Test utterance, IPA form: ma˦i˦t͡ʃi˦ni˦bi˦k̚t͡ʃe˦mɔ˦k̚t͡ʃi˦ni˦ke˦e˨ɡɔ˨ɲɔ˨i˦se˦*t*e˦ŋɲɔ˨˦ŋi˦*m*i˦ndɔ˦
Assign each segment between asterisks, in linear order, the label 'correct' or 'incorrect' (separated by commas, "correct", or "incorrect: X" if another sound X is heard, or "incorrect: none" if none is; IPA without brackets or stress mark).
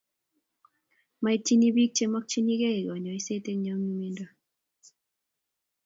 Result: correct, correct